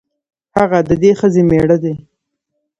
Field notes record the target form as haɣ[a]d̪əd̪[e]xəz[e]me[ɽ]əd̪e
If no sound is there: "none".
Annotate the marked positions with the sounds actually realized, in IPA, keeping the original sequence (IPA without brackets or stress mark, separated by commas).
a, e, e, ɽ